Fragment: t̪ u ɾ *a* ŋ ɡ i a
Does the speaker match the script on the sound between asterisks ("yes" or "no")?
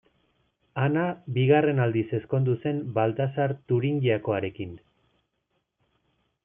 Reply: no